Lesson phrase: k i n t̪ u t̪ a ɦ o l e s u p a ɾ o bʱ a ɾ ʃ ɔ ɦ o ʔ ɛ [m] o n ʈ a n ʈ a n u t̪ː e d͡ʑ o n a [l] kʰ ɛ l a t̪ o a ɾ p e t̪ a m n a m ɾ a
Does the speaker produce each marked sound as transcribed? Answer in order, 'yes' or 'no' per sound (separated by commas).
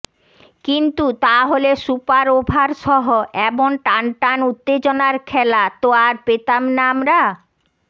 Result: no, no